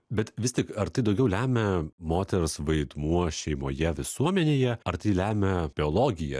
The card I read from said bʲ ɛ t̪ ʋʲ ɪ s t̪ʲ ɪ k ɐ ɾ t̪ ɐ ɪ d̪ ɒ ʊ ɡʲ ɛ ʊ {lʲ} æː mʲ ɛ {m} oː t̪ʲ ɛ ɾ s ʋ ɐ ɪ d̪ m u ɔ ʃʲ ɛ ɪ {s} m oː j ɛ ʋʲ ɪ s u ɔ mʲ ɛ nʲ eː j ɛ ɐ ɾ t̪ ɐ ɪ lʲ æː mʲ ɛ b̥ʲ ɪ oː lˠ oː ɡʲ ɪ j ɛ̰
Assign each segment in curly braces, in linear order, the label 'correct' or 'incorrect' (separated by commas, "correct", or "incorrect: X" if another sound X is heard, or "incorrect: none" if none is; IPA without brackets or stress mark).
correct, correct, incorrect: none